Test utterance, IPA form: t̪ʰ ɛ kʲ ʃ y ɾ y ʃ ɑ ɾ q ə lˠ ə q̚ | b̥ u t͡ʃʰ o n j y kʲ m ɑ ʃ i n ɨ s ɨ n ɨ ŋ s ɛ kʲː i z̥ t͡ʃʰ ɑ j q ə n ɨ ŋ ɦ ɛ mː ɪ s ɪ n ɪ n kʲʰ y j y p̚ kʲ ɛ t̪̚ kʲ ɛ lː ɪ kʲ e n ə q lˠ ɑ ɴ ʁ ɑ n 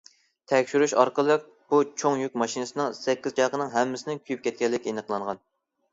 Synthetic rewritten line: t̪ʰ ɛ kʲ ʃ y ɾ y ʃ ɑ ɾ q ə lˠ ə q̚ | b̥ u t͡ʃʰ o ŋ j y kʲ m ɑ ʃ i n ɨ s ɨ n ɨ ŋ s ɛ kʲː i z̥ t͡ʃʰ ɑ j q ə n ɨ ŋ ɦ ɛ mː ɪ s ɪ n ɪ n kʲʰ y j y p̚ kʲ ɛ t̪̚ kʲ ɛ lː ɪ kʲ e n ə q lˠ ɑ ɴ ʁ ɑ n